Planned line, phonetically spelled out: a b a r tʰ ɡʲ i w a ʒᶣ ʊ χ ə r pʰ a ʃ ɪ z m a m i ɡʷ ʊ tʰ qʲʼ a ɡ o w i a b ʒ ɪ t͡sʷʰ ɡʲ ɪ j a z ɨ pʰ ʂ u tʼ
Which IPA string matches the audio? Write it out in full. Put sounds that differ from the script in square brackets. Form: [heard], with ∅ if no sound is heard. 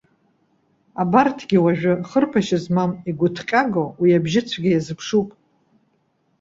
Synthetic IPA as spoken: a b a r tʰ ɡʲ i w a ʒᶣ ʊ χ ə r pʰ a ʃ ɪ z m a m i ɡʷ ʊ tʰ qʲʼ a ɡ o w i a b ʒ ɪ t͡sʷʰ ɡʲ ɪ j a z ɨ pʰ ʂ u [pʼ]